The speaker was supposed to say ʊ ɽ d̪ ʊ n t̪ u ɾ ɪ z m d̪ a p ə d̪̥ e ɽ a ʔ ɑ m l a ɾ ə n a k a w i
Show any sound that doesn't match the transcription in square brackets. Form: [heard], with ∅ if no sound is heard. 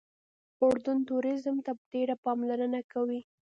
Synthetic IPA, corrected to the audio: ʊ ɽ d̪ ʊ n t̪ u ɾ ɪ z m [t̪] a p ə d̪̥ e ɽ a [p] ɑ m l a ɾ ə n a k a w i